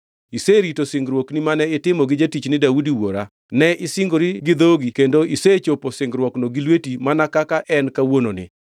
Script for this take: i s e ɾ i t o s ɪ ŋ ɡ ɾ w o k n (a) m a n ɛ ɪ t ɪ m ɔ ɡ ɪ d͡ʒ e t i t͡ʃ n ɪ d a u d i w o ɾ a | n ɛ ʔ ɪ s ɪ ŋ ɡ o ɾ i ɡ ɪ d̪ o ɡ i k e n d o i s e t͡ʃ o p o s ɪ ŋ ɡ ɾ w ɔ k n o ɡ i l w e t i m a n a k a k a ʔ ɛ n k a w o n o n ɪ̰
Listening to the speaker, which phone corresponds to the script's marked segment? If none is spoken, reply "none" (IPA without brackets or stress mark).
i